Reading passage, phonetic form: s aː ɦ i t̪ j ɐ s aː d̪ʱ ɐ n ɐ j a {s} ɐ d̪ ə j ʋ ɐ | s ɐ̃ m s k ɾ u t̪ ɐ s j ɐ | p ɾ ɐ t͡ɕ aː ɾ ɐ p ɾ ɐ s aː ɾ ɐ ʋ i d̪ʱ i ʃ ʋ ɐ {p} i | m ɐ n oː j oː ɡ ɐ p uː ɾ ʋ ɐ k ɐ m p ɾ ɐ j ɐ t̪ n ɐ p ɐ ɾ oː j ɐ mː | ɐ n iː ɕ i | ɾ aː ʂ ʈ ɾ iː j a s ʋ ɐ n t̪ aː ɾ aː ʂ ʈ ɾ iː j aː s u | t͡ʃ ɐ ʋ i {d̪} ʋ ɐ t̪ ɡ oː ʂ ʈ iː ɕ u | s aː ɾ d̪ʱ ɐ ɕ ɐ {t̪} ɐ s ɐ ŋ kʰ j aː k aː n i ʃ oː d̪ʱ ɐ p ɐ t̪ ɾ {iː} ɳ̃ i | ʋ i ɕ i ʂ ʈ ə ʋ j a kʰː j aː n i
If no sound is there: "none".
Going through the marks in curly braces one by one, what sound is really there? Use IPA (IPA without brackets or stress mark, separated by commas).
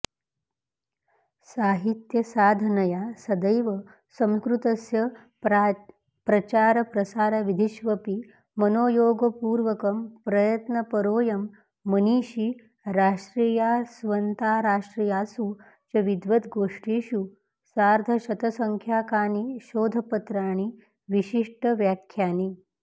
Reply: s, p, d̪, t̪, aː